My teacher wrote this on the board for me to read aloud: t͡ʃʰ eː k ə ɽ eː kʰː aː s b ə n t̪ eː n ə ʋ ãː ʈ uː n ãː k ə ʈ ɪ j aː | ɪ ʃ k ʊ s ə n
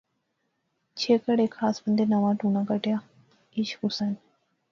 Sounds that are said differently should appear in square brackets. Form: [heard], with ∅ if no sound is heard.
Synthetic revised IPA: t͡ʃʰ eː k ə ɽ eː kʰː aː s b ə n [d̪] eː n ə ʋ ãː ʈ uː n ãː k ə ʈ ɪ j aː | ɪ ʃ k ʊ s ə n